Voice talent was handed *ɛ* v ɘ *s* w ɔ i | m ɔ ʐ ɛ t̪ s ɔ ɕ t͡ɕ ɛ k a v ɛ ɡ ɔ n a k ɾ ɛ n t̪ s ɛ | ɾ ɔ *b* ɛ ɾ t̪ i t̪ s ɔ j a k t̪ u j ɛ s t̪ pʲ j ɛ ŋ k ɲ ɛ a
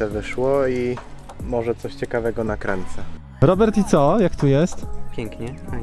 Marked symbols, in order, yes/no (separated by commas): yes, no, yes